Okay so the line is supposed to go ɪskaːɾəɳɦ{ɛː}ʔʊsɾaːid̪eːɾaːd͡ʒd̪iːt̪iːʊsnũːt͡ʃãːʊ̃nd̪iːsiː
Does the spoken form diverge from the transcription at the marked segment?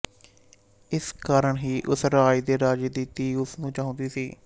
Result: yes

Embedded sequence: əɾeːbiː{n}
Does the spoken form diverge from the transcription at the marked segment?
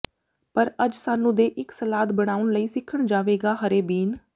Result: no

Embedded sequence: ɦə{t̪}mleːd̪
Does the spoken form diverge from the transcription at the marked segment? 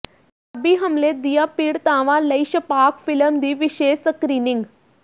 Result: yes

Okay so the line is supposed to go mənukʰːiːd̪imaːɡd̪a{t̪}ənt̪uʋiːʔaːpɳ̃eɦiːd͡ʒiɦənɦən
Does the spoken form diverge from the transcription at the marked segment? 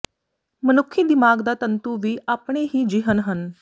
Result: no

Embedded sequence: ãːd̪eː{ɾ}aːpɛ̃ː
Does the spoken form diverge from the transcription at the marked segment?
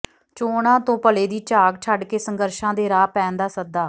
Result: no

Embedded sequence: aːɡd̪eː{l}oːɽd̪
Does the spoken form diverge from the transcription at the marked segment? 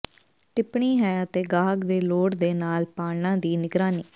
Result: no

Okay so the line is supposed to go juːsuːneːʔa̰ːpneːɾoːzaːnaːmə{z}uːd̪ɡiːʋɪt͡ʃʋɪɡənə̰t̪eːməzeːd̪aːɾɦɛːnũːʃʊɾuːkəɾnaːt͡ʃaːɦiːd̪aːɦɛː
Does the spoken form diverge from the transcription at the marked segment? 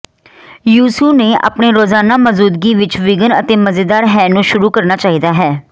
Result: no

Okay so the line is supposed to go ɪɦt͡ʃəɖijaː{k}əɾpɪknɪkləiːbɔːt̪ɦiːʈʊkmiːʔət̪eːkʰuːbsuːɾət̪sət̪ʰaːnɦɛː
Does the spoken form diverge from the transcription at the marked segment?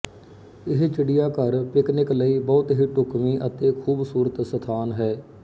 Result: no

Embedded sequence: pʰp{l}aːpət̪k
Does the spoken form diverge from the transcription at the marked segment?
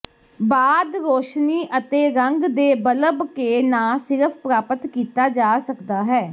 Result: yes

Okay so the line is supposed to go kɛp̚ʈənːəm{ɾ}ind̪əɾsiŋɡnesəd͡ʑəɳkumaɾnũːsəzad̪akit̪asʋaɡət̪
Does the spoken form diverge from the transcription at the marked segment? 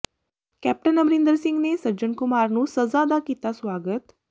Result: no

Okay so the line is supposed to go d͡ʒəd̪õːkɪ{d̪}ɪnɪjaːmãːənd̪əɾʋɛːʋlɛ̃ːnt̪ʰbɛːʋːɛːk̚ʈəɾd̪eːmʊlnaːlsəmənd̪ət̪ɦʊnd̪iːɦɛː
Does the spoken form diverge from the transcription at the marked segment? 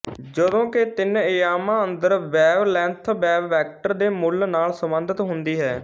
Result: yes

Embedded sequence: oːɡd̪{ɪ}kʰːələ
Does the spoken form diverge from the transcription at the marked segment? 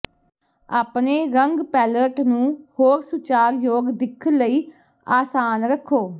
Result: no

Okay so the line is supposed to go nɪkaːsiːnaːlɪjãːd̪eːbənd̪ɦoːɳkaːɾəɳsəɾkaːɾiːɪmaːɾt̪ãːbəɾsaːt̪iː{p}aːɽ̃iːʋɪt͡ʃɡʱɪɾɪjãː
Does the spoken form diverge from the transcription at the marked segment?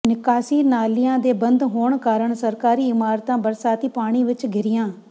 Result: no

